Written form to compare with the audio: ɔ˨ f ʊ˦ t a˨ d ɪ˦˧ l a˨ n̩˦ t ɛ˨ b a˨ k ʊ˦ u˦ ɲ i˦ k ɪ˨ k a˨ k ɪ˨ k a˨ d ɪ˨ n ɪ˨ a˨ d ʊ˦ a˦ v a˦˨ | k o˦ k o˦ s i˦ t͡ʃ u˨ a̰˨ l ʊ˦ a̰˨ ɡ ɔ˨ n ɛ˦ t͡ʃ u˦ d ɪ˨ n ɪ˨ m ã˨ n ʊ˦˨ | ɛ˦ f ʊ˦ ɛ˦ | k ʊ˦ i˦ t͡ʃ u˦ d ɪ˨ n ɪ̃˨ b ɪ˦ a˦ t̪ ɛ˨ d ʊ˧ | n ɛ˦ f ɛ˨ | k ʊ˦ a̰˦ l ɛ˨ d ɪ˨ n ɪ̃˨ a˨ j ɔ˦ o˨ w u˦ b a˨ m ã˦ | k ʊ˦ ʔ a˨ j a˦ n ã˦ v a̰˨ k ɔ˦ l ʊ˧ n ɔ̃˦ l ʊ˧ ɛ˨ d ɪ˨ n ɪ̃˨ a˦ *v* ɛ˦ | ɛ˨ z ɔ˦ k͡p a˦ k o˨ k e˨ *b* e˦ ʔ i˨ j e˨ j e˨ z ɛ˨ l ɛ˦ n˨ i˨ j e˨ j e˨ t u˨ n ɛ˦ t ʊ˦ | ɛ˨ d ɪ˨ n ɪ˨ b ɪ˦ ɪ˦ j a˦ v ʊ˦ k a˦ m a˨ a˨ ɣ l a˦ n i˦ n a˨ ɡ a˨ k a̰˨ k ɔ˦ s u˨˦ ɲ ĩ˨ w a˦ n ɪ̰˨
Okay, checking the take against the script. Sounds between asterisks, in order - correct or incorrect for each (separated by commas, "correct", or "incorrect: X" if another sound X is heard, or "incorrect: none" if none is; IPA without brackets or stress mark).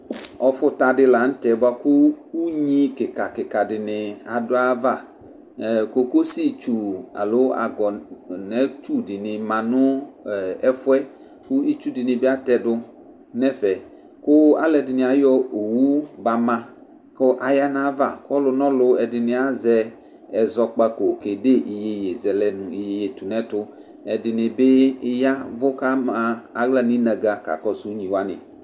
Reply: incorrect: z, incorrect: d